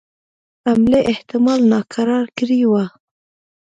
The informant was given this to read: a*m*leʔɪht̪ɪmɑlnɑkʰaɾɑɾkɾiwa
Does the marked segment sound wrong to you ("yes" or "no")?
no